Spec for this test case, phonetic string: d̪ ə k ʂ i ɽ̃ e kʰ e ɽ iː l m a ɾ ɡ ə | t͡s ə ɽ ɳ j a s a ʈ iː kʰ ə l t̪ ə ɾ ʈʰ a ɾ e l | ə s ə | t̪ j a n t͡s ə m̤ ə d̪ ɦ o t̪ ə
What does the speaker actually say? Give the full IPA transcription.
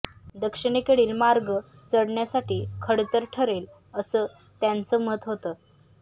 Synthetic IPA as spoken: d̪ ə k ʂ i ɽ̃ e k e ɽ iː l m a ɾ ɡ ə | t͡s ə ɽ ɳ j a s a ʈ iː kʰ ə ɽ t̪ ə ɾ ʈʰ ə ɾ e l | ə s ə | t̪ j a n t͡s ə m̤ ə t̪ ɦ o t̪ ə